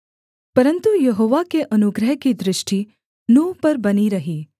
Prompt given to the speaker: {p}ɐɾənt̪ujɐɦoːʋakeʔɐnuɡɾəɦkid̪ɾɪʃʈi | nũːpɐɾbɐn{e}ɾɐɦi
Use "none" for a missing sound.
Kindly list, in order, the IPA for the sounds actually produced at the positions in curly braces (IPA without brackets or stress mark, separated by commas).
p, i